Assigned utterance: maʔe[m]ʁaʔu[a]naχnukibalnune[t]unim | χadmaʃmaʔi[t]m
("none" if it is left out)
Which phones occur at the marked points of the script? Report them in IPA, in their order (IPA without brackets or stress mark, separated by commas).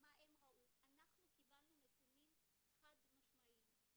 m, a, t, none